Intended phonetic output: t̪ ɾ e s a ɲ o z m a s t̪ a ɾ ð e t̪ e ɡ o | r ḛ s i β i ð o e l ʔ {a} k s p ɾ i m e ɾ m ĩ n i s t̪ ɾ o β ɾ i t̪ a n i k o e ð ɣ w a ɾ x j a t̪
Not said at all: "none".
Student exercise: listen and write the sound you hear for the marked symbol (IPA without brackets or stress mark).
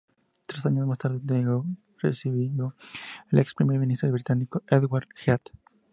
e